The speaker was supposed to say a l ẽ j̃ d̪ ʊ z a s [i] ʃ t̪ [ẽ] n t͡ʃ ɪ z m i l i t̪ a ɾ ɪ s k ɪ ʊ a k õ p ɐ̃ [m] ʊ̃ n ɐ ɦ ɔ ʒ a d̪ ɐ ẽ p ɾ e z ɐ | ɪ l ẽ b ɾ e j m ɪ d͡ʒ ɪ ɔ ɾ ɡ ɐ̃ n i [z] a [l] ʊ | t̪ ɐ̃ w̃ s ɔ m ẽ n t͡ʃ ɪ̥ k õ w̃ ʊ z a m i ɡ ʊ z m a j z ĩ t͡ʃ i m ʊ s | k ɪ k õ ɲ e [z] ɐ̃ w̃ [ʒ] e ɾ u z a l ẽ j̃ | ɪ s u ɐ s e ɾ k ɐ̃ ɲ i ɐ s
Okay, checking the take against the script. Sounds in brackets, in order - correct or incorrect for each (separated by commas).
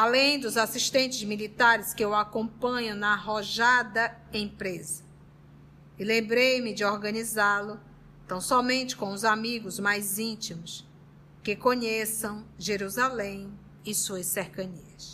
correct, correct, incorrect, correct, correct, incorrect, correct